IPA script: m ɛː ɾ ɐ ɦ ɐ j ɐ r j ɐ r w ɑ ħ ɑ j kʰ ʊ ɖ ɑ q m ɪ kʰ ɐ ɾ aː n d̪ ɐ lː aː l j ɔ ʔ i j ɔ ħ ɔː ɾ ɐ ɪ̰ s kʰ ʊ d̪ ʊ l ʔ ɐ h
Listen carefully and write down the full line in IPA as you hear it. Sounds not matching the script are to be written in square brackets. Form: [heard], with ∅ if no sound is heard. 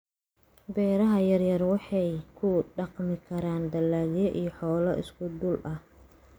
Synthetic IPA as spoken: [b] ɛː ɾ ɐ ɦ ɐ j ɐ r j ɐ r w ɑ ħ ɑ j kʰ ʊ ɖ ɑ q m ɪ kʰ ɐ ɾ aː n d̪ ɐ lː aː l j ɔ ʔ i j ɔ ħ ɔː [l] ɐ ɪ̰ s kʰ ʊ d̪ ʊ l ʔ ɐ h